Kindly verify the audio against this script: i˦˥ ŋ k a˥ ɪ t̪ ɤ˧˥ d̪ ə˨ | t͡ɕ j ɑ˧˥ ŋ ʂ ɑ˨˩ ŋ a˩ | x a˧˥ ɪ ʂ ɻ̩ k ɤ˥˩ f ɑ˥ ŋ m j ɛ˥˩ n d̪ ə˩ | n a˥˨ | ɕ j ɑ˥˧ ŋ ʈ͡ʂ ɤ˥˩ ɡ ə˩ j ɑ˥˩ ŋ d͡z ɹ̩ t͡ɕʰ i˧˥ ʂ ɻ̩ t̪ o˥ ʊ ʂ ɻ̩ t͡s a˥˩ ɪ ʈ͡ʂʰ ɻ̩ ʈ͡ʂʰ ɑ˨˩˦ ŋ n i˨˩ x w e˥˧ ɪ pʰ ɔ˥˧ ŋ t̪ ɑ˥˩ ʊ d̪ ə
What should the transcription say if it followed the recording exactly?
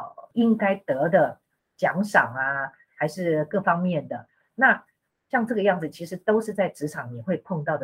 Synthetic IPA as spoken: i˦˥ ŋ k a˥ ɪ t̪ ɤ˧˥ d̪ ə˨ | t͡ɕ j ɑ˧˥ ŋ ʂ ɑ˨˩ ŋ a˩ | x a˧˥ ɪ ʂ ɻ̩ k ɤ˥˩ f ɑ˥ ŋ m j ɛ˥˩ n d̪ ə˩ | n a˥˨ | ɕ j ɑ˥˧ ŋ ʈ͡ʂ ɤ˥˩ ɡ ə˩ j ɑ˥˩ ŋ d͡z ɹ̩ t͡ɕʰ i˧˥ ʂ ɻ̩ t̪ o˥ ʊ ʂ ɻ̩ t͡s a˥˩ ɪ ʈ͡ʂ ɻ̩ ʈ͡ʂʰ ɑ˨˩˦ ŋ n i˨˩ x w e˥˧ ɪ pʰ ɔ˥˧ ŋ t̪ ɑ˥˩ ʊ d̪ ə